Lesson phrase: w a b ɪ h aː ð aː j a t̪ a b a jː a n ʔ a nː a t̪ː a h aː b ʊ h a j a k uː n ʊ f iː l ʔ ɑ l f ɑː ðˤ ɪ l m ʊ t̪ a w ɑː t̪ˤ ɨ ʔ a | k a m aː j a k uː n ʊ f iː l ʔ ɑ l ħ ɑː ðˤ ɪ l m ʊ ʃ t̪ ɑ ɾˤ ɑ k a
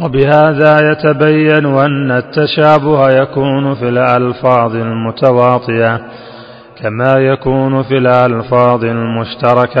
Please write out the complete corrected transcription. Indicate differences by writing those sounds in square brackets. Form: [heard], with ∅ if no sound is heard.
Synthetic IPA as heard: w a b ɪ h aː ð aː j a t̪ a b a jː a n ʔ a nː a t̪ː a [ʃ] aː b ʊ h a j a k uː n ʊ f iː l ʔ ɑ l f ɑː ðˤ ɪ l m ʊ t̪ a w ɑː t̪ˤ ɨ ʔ a | k a m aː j a k uː n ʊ f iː l ʔ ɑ l [f] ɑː ðˤ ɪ l m ʊ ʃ t̪ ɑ ɾˤ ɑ k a